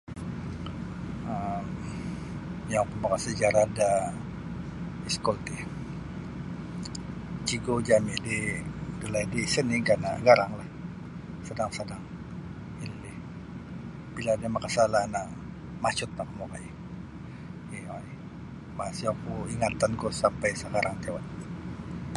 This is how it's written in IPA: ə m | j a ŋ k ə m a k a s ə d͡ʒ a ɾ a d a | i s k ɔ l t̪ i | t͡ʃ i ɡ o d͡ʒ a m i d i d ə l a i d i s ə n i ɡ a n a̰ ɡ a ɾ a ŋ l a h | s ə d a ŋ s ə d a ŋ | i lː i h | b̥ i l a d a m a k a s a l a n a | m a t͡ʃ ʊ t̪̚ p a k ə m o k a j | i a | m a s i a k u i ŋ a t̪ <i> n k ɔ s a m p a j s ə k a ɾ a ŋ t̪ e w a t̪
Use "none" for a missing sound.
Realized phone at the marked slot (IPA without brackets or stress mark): a